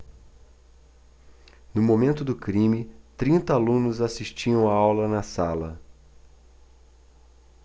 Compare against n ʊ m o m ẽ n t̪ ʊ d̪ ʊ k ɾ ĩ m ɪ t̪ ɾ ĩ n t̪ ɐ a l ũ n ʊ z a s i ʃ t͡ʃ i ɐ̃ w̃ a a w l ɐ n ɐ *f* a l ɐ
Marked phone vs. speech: incorrect: s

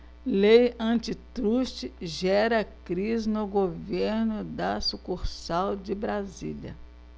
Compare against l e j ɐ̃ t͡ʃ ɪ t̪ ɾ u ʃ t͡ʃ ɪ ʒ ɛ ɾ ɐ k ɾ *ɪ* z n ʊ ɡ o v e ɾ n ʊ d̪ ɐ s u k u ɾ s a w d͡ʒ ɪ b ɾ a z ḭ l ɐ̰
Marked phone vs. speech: incorrect: i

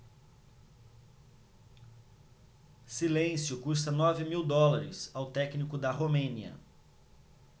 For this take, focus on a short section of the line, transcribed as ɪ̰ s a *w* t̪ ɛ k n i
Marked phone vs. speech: correct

